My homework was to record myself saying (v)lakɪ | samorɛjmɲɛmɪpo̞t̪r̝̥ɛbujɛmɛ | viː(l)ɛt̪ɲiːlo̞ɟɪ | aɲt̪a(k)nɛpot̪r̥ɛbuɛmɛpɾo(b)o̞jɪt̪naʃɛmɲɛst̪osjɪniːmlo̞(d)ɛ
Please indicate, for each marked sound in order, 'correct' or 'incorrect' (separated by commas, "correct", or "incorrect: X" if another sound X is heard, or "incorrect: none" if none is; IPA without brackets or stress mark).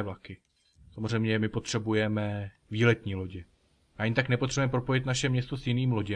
correct, correct, correct, incorrect: p, incorrect: ɟ